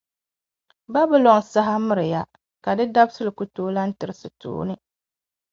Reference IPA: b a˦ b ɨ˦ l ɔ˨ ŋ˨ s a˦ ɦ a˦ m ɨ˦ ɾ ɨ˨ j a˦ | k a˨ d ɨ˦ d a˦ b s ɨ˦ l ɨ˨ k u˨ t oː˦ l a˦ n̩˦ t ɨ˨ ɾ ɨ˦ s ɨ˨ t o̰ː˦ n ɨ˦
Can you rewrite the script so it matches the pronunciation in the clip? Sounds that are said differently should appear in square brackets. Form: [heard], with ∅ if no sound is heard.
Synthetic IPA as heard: b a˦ b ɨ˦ l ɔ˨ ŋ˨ s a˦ ɦ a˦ m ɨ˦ ɾ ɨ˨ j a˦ | k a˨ d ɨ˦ d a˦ b s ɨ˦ l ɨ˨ k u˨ t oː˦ l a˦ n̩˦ t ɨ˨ ɾ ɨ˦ s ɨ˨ t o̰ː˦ n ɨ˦